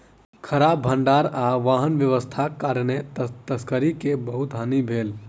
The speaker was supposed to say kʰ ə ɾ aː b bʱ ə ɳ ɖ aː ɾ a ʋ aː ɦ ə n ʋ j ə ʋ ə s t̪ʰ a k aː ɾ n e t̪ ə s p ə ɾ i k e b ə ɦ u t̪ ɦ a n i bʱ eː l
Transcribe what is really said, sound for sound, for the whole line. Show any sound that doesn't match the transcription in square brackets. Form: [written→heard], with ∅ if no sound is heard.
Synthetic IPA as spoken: kʰ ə ɾ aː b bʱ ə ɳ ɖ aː ɾ a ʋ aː ɦ ə n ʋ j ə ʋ ə s t̪ʰ a k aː ɾ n e t̪ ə s [p→k] ə ɾ i k e b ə ɦ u t̪ ɦ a n i bʱ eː l